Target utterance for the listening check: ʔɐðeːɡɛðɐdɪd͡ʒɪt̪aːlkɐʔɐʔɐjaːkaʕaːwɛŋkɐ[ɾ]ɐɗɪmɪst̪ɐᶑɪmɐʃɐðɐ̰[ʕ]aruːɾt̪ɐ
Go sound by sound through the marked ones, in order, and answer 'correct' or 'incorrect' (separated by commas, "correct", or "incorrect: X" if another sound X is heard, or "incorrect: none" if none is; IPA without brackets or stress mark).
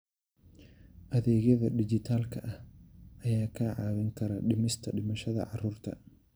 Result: correct, correct